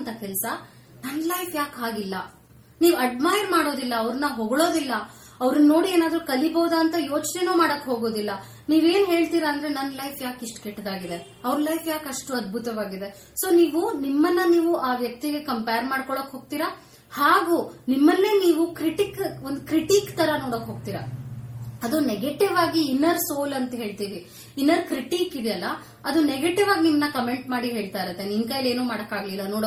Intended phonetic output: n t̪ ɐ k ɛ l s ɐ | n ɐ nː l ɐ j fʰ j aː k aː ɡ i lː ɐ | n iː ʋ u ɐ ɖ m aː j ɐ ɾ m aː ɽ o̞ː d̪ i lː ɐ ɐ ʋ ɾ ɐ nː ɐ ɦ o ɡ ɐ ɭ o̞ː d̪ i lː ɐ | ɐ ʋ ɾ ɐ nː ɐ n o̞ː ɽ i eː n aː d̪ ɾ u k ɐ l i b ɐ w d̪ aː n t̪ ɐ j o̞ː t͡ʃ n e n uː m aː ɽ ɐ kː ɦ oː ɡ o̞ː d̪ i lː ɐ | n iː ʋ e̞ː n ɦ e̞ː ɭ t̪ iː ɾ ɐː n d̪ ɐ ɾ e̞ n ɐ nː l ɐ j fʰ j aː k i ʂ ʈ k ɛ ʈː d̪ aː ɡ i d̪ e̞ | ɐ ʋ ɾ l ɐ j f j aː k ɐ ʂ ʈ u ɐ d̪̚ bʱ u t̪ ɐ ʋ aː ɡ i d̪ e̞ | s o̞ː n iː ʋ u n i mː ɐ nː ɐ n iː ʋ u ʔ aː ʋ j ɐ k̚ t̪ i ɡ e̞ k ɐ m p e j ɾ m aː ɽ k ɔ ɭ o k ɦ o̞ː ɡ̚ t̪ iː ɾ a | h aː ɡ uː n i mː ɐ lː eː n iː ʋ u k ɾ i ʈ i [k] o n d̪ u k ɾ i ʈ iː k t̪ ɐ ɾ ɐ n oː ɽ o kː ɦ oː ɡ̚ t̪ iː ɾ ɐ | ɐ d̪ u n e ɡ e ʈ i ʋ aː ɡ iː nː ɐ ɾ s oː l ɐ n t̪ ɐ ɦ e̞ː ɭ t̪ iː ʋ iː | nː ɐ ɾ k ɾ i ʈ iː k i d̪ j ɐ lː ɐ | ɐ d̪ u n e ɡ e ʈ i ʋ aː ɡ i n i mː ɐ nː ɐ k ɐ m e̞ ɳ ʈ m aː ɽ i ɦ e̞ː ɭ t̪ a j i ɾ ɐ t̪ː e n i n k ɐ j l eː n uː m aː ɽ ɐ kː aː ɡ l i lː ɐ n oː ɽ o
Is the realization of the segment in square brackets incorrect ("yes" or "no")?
no